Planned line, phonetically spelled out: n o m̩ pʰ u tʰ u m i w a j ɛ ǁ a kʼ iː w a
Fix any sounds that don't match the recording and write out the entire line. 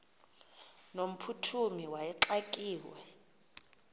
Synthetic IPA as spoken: n o m̩ pʰ u tʰ u m i w a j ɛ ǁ a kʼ iː w ɛ